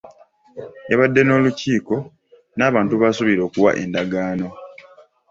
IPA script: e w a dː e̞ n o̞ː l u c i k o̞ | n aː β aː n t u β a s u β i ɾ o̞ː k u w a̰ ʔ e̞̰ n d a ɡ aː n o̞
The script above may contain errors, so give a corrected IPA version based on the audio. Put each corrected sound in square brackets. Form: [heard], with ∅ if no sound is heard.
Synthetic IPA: e [β] a dː e̞ n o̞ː l u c [iː] k o̞ | n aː β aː n t u β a s u β i ɾ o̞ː k u w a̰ ʔ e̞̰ n d a ɡ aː n o̞